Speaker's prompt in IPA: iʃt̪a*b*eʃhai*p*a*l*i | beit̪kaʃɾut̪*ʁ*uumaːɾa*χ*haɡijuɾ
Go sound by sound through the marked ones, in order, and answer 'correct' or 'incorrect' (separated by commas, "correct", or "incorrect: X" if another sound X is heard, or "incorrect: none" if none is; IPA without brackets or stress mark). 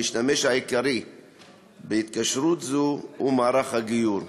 incorrect: m, incorrect: k, incorrect: ɾ, incorrect: z, correct